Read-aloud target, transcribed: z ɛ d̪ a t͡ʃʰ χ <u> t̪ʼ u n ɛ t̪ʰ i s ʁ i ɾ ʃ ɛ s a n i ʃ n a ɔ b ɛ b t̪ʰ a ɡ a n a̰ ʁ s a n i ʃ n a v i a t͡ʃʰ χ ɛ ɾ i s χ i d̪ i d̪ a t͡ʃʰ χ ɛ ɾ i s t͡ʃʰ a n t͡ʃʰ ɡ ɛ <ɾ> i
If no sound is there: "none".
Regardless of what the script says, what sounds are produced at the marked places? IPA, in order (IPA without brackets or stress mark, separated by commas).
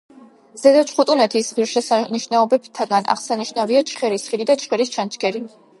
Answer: u, ɾ